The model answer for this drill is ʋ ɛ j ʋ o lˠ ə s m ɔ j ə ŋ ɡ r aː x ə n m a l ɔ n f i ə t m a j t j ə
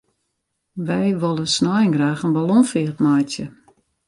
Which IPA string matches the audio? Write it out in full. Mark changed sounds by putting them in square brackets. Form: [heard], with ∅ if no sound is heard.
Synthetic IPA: ʋ ɛ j ʋ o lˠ ə s [n] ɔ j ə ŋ ɡ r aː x ə n [b] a l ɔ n f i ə t m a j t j ə